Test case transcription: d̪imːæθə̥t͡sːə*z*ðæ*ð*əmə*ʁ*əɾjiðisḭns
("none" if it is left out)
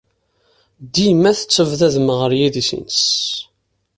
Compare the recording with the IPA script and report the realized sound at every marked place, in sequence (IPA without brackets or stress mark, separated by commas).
v, ð, ʁ